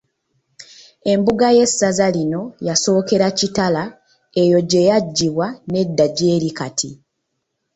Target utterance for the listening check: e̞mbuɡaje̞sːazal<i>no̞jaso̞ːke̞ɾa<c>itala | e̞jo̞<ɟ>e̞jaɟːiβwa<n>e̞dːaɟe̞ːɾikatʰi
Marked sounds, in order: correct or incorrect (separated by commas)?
correct, correct, correct, correct